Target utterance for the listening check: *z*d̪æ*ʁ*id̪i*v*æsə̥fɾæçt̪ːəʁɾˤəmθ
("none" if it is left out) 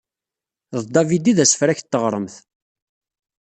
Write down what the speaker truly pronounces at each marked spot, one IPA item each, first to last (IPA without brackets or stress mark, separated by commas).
ð, v, ð